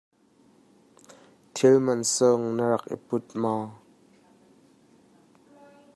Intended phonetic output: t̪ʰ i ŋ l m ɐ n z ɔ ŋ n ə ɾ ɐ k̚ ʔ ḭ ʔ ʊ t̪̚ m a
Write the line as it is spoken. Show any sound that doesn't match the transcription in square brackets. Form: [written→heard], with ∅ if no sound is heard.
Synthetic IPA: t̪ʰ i [ŋ→∅] l m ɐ n [z→s] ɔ ŋ n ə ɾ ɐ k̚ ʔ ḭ [ʔ→p] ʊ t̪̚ m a

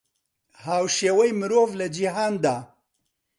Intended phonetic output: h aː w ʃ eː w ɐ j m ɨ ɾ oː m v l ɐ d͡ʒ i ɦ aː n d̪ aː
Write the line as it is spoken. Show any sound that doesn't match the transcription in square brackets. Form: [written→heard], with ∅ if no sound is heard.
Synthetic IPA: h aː w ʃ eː w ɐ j m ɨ ɾ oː [m→∅] v l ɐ d͡ʒ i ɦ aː n d̪ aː

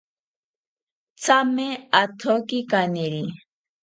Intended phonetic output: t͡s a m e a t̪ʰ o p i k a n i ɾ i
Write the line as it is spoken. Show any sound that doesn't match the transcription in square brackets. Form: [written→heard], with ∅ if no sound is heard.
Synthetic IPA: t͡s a m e a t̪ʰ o [p→k] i k a n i ɾ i

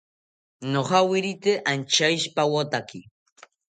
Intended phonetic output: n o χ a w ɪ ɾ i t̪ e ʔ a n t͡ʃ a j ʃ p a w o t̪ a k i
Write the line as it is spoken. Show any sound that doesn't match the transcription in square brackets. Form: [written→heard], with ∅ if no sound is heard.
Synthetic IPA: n o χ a w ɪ ɾ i t̪ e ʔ a n t͡ʃ a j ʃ p a w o t̪ a k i

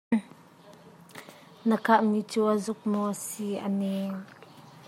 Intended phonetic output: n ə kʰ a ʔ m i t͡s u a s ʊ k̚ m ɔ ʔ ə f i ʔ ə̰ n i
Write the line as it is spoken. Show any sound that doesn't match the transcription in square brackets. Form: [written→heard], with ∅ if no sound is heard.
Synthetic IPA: n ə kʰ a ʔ m i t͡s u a [s→z] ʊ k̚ m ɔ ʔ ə [f→s] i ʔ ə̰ n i

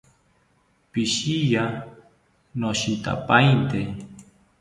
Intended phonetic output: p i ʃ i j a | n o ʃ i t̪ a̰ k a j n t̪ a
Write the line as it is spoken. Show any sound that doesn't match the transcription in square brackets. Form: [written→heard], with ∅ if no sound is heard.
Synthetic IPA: p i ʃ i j a | n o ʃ i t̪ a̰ [k→p] a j n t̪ [a→e]

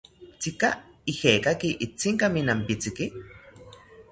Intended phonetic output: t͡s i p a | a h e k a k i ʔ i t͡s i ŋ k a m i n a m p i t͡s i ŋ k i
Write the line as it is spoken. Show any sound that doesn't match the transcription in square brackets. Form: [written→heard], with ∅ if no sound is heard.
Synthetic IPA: t͡s i [p→k] a | [a→i] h e k a k i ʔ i t͡s i ŋ k a m i n a m p i t͡s i [ŋ→∅] k i

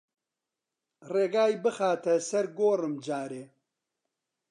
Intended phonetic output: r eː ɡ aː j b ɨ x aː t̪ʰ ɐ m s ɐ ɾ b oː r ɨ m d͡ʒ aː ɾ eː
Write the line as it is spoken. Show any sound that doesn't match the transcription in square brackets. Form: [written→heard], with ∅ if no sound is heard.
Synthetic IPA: r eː ɡ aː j b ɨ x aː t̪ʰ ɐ [m→∅] s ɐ ɾ [b→ɡ] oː r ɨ m d͡ʒ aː ɾ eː

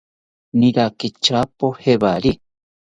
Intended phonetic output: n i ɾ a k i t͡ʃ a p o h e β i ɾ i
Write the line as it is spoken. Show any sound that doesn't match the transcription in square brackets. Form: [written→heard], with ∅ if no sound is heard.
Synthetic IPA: n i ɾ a k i t͡ʃ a p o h e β [i→a] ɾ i

